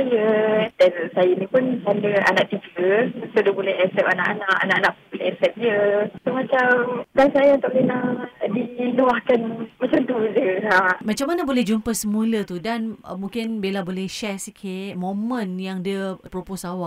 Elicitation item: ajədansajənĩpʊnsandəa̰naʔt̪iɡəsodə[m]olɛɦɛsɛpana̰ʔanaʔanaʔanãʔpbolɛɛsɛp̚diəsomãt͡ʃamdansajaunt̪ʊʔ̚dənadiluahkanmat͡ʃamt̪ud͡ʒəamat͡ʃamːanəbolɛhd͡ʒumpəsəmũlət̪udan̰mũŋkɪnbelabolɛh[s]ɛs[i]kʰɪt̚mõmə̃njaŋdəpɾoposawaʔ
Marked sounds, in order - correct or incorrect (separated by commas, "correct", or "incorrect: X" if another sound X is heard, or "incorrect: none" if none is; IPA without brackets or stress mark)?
incorrect: b, incorrect: ʃ, correct